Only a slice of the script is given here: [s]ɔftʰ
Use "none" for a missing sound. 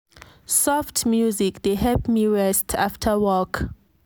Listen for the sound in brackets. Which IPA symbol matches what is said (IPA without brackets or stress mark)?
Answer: s